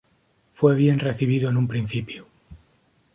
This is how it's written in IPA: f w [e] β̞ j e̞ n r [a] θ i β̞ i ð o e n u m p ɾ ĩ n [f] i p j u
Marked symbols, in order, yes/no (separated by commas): yes, no, no